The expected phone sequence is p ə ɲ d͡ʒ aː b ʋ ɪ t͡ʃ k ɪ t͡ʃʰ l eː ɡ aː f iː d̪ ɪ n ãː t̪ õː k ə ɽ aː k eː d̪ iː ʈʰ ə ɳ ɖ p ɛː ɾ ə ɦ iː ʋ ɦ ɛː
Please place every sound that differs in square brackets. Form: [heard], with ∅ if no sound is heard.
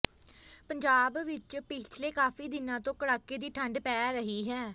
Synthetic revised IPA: p ə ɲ d͡ʒ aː b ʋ ɪ t͡ʃ [p] ɪ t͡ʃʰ l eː [k] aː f iː d̪ ɪ n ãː t̪ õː k ə ɽ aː k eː d̪ iː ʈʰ ə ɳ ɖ p ɛː ɾ ə ɦ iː [∅] ɦ ɛː